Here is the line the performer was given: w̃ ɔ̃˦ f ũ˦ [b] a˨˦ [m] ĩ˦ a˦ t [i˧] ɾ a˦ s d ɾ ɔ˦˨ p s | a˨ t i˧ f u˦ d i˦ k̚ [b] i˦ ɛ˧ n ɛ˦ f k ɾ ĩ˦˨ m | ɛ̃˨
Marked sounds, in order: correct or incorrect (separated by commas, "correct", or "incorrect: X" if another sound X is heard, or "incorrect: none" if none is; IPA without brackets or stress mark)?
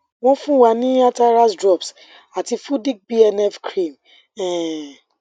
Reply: incorrect: w, incorrect: n, incorrect: a˧, correct